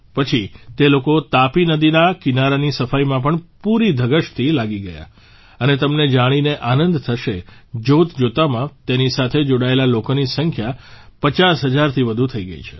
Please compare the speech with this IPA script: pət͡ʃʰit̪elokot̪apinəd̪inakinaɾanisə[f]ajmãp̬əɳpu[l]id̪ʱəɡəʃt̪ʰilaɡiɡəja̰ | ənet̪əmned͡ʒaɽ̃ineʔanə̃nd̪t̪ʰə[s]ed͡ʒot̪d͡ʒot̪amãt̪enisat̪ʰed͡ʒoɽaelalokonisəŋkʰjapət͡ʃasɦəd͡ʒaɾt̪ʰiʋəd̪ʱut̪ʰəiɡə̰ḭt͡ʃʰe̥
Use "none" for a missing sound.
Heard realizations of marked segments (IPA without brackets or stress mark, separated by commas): f, ɾ, ʃ